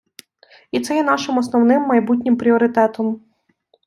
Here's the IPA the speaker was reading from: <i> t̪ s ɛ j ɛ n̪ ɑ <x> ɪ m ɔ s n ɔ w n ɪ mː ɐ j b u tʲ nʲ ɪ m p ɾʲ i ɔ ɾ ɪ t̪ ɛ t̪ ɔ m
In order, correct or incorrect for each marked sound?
correct, incorrect: ʃ

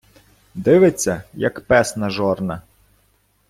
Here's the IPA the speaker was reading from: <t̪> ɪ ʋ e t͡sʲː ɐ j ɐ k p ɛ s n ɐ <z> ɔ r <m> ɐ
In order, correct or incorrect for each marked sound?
incorrect: d̪, incorrect: ʒ, incorrect: n

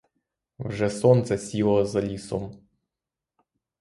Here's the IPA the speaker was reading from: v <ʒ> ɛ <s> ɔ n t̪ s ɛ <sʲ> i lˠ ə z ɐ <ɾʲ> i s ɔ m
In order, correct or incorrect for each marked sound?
incorrect: ʐ, correct, correct, incorrect: lʲ

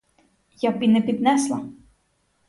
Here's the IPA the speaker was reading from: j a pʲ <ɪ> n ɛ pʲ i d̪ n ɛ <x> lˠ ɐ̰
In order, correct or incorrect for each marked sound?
incorrect: i, incorrect: s

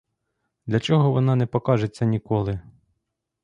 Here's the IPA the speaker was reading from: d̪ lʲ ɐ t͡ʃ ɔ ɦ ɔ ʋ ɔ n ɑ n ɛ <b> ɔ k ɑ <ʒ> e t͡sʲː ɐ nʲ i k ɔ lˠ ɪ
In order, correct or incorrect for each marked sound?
incorrect: p, correct

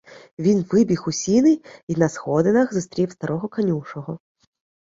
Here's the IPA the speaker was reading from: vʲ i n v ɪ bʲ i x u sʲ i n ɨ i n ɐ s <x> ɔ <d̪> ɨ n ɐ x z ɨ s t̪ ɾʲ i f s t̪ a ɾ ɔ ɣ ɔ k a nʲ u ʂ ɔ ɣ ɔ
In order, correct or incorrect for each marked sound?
correct, correct

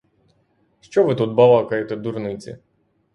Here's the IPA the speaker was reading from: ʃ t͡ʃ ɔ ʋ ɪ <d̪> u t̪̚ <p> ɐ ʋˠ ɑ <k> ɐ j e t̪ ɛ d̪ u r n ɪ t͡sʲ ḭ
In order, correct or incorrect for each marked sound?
incorrect: t̪, incorrect: b, correct

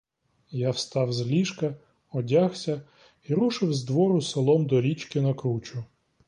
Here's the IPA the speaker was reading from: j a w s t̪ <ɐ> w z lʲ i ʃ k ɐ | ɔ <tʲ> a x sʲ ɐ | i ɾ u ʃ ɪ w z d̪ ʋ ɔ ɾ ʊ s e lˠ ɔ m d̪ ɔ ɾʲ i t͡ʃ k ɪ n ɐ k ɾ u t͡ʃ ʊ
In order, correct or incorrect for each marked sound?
incorrect: ɑ, incorrect: dʲ

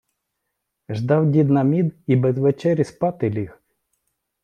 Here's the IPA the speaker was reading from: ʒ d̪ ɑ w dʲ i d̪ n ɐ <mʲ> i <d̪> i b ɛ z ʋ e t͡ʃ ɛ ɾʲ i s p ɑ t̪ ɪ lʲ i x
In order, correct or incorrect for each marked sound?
correct, correct

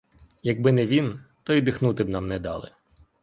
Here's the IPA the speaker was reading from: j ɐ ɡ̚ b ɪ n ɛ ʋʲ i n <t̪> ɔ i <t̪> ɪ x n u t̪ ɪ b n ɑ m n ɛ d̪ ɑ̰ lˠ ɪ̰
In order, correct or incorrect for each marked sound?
correct, incorrect: d̪

